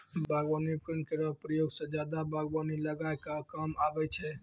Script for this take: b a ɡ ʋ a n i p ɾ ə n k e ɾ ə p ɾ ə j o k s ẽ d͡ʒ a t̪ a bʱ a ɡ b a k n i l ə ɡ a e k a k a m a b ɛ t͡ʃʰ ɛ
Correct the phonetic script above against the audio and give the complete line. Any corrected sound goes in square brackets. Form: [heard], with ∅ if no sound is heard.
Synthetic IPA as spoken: b a ɡ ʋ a n i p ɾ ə n k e ɾ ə p ɾ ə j o [ɡ] s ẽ d͡ʒ a [d̪] a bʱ a ɡ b a [∅] n i l ə ɡ a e k a k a m a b ɛ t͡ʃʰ ɛ